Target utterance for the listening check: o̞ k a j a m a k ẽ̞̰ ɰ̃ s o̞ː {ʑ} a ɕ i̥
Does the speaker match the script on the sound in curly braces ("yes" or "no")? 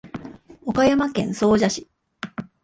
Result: yes